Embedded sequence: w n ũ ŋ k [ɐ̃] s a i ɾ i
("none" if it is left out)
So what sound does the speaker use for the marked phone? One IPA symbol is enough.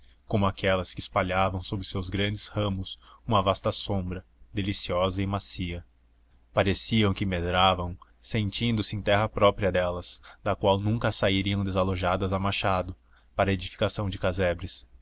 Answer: ɐ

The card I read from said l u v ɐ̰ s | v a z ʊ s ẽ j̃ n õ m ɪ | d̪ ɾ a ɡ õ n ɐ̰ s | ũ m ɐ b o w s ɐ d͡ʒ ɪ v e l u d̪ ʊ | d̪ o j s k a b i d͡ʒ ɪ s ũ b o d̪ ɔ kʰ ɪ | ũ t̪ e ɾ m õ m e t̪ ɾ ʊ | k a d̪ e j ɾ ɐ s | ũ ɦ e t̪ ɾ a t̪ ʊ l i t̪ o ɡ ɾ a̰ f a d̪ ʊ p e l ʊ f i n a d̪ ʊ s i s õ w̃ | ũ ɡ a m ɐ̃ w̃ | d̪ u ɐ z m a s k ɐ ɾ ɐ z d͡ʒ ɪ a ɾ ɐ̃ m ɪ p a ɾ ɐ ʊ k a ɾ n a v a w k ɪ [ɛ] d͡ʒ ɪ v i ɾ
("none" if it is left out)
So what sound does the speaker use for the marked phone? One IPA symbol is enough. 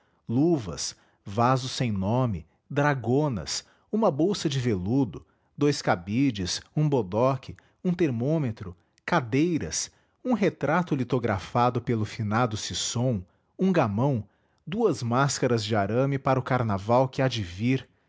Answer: a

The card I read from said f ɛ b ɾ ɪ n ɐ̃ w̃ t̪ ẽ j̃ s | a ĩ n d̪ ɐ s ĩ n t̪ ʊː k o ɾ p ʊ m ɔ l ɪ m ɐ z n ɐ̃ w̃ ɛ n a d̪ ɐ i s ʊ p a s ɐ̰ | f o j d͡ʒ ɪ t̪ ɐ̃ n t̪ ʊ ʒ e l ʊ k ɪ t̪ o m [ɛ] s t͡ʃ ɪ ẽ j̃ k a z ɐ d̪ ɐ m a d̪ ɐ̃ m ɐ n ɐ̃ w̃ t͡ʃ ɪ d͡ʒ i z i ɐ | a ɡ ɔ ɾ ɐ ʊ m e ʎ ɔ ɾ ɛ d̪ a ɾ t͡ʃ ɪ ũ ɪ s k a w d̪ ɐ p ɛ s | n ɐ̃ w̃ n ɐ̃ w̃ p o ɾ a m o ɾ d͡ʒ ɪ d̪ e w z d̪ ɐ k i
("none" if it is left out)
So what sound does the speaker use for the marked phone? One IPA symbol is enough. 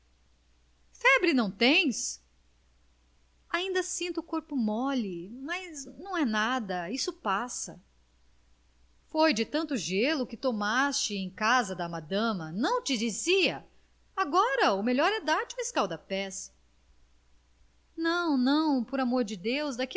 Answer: a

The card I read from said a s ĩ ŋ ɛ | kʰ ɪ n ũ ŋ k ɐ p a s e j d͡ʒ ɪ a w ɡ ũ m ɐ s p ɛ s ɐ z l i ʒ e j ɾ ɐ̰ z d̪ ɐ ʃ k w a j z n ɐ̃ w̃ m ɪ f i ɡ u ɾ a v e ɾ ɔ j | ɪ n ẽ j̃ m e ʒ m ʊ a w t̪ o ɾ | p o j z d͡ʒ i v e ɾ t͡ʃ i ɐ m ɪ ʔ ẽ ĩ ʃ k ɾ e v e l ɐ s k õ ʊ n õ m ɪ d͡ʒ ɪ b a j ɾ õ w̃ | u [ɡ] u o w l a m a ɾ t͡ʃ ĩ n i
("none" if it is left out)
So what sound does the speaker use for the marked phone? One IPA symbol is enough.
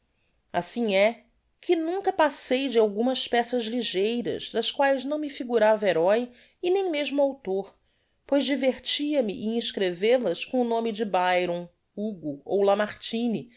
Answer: ɡ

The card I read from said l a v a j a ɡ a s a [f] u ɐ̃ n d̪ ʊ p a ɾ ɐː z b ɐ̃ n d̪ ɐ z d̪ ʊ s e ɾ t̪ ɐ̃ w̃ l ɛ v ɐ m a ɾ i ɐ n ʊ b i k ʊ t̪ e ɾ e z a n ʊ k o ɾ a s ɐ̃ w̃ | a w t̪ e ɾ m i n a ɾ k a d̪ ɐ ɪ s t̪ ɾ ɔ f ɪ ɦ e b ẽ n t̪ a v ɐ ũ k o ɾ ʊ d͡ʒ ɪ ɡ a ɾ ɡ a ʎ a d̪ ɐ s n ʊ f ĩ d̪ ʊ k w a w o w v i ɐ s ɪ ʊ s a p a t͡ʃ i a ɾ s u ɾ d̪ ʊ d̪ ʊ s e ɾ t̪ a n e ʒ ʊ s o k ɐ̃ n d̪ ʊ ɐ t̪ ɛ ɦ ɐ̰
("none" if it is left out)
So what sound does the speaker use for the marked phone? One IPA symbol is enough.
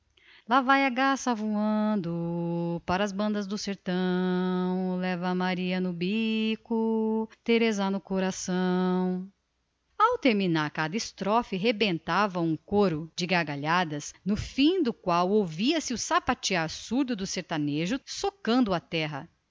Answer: v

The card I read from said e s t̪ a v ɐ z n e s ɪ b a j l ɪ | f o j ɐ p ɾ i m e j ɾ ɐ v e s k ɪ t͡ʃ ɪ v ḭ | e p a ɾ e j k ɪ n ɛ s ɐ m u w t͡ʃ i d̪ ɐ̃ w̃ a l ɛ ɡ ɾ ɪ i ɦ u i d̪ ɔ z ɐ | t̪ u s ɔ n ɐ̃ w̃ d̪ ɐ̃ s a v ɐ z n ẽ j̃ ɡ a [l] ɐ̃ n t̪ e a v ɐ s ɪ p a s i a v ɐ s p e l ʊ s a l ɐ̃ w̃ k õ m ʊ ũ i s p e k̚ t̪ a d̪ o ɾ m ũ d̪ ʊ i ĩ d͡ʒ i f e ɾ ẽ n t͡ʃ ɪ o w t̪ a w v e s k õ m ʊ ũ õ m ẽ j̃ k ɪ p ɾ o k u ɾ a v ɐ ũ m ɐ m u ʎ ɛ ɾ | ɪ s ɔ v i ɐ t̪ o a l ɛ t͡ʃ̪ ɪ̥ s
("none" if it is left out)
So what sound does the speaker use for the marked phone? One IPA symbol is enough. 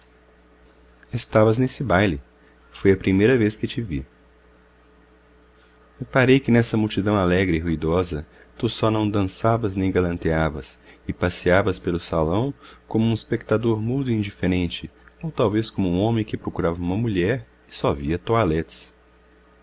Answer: l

